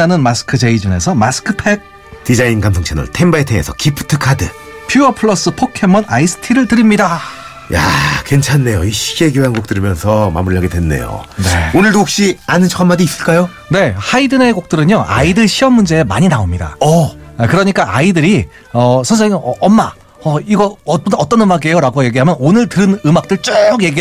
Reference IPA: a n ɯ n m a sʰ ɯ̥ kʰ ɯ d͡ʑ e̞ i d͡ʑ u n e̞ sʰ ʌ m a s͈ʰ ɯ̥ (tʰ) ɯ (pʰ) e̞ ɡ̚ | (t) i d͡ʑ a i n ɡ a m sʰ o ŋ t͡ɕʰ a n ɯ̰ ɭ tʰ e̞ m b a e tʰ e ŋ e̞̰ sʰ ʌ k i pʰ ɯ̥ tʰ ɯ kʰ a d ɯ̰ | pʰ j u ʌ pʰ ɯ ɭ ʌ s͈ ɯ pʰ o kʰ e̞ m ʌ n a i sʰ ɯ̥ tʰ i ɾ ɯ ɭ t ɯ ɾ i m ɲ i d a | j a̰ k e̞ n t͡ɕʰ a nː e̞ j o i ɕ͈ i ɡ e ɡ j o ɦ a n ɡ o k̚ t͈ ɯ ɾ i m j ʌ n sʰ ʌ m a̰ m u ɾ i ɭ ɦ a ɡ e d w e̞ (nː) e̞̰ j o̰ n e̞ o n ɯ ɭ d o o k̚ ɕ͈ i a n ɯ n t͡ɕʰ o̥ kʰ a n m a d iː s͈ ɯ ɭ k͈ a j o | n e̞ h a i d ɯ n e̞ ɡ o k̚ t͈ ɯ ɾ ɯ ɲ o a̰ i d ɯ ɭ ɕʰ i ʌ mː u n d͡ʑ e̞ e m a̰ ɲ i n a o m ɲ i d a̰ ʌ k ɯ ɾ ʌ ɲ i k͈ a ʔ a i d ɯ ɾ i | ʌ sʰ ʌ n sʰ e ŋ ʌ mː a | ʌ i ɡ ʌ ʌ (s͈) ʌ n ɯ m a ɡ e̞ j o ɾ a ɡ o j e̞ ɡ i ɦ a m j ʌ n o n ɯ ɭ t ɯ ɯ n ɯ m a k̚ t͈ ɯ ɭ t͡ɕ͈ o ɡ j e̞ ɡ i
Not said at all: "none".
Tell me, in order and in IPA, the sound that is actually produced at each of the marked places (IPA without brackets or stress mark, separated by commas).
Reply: kʰ, pʰ, t, nː, t͈